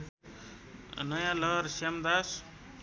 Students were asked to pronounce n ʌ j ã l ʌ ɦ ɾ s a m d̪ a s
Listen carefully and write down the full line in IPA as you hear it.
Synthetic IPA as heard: n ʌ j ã l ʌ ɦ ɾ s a m d̪ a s